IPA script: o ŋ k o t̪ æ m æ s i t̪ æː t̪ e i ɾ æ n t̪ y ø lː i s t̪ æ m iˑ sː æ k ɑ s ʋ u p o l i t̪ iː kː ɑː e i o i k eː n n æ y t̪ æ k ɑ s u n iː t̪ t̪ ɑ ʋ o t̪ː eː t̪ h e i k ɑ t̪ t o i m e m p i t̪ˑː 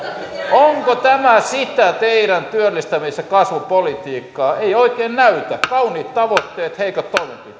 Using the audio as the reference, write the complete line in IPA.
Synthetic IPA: o ŋ k o t̪ æ m æ s i t̪ æ t̪ e i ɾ æ n t̪ y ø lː i s t̪ æ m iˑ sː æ k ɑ s ʋ u p o l i t̪ iː kː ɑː e i o i k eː n n æ y t̪ æ k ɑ u n iː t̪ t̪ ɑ ʋ o t̪ː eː t̪ h e i k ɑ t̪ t o i m e m p i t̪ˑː

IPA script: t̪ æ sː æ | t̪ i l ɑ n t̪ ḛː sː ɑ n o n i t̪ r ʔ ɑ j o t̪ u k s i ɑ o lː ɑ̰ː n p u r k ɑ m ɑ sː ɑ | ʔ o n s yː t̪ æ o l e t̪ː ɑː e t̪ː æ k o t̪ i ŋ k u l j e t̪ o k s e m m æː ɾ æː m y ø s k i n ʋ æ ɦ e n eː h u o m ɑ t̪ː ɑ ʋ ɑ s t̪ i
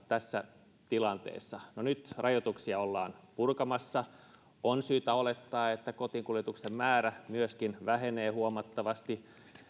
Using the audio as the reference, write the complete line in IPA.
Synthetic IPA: t̪ æ sː æ | t̪ i l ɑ n t̪ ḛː sː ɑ n o n y t̪ r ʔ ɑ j o t̪ u k s i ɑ o lː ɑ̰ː n p u r k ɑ m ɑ sː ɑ | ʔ o n s yː t̪ æ o l e t̪ː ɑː e t̪ː æ k o t̪ i ŋ k u l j e t̪ u k s e m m æː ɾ æ m y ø s k i n ʋ æ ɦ e n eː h u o m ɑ t̪ː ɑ ʋ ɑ s t̪ i

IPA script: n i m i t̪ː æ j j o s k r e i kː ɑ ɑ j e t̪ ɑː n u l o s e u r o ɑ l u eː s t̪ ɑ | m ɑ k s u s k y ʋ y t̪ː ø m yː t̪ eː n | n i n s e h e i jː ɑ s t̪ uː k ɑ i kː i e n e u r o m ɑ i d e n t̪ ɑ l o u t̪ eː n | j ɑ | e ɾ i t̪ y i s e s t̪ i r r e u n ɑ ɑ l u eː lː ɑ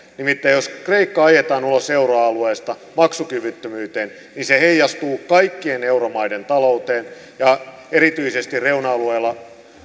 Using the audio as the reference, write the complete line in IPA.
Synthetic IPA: n i m i t̪ː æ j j o s k r e i kː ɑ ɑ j e t̪ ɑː n u l o s e u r o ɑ l u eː s t̪ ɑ | m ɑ k s u k y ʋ y t̪ː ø m yː t̪ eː n | n i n s e h e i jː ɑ s t̪ uː k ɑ i kː i e n e u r o m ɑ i d e n t̪ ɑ l o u t̪ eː n | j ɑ | e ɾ i t̪ y i s e s t̪ i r r e u n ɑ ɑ l u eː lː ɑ

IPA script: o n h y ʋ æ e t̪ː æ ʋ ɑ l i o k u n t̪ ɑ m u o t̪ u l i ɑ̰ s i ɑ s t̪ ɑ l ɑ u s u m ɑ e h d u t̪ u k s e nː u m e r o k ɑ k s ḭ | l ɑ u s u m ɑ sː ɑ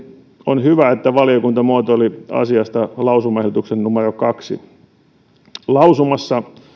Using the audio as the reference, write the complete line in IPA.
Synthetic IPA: o n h y ʋ æ e t̪ː æ ʋ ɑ l i o k u n t̪ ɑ m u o t̪ o l i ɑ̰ s i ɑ s t̪ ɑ l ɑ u s u m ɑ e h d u t̪ u k s e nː u m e r o k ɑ k s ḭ | l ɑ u s u m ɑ sː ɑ

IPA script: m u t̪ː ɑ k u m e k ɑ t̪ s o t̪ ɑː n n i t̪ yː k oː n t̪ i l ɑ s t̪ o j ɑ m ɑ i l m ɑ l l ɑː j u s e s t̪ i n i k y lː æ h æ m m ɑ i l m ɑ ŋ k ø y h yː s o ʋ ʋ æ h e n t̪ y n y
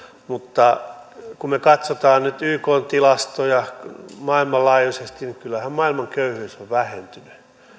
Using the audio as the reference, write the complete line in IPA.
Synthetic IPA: m u t̪ː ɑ k u m e k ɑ t̪ s o t̪ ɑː n n y t̪ yː k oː n t̪ i l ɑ s t̪ o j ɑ m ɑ i l m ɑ l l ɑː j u s e s t̪ i n i k y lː æ h æ m m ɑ i l m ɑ ŋ k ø y h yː s o ʋ ʋ æ h e n t̪ y n y

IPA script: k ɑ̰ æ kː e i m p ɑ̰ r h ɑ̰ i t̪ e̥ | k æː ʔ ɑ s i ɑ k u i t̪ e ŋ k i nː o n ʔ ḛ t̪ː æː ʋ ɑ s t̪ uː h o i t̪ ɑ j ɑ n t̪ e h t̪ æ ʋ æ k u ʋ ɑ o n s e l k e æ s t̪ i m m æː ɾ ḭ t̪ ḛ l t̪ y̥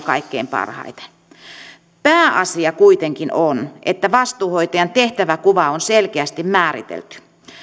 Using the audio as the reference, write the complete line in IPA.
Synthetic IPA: k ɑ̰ i kː e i m p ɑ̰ r h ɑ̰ i t̪ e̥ | p æː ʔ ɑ s i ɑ k u i t̪ e ŋ k i n o n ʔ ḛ t̪ː æ ʋ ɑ s t̪ uː h o i t̪ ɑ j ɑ n t̪ e h t̪ æ ʋ æ k u ʋ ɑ o n s e l k e æ s t̪ i m m æː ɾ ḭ t̪ ḛ l t̪ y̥

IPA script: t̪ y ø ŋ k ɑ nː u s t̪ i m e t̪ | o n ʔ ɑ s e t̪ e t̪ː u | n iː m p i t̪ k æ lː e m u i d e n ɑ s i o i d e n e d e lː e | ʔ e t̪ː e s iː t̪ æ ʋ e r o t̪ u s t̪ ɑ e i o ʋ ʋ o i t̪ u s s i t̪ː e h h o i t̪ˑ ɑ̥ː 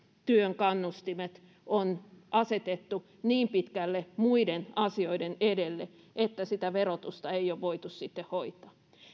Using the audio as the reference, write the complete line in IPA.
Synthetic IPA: t̪ y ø ŋ k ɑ nː u s t̪ i m e t̪ | o n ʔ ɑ s e t̪ e t̪ː u | n iː m p i t̪ k æ lː e m u i d e n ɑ s i o i d e n e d e lː e | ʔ e t̪ː æ s i t̪ æ ʋ e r o t̪ u s t̪ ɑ e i o ʋ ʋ o i t̪ u s s i t̪ː e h h o i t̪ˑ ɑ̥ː

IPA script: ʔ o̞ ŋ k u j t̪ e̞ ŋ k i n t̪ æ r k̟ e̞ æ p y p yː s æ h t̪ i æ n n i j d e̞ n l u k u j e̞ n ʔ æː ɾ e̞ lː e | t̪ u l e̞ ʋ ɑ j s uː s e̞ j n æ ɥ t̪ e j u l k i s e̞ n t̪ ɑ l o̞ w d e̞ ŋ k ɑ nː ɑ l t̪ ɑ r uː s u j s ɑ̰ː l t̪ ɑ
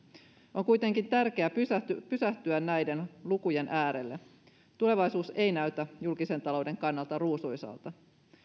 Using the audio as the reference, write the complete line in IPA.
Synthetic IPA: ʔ o̞ ŋ k u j t̪ e̞ ŋ k i n t̪ æ r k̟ e̞ æ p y p y s æ h t̪ y æ n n æ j d e̞ n l u k u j e̞ n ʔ æː ɾ e̞ lː e | t̪ u l e̞ ʋ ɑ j s uː s e̞ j n æ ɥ t̪ æ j u l k i s e̞ n t̪ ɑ l o̞ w d e̞ ŋ k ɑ nː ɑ l t̪ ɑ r uː s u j s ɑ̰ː l t̪ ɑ

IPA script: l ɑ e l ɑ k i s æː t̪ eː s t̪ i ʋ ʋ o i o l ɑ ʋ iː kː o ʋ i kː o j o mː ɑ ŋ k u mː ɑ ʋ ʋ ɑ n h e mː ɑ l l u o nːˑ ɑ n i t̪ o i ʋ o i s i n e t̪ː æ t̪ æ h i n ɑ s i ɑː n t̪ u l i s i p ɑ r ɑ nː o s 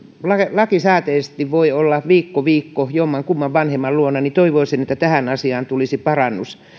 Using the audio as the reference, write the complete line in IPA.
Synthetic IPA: l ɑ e l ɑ k i s æː t̪ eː s t̪ i ʋ ʋ o i o lː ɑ ʋ iː kː o ʋ iː kː o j o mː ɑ ŋ k u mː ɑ ʋ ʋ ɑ n h e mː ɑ l l u o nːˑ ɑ n i t̪ o i ʋ o i s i n e t̪ː æ t̪ æ h æ n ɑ s i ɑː n t̪ u l i s i p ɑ r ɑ nː u s

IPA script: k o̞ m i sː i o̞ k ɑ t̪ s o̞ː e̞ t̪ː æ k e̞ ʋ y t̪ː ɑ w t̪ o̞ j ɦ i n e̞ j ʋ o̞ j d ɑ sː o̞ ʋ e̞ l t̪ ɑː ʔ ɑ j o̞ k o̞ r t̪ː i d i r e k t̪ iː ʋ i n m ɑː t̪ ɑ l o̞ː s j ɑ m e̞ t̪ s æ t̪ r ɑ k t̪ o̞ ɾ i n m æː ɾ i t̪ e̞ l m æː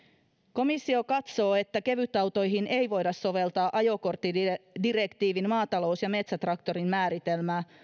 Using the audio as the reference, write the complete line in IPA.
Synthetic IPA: k o̞ m i sː i o̞ k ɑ t̪ s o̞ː e̞ t̪ː æ k e̞ ʋ y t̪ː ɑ w t̪ o̞ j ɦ i n e̞ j ʋ o̞ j d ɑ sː o̞ ʋ e̞ l t̪ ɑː ʔ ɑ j o̞ k o̞ r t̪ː i d i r e k t̪ iː ʋ i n m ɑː t̪ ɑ l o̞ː s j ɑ m e̞ t̪ s æ t̪ r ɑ k t̪ o̞ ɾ i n m æː ɾ i t̪ e̞ l m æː

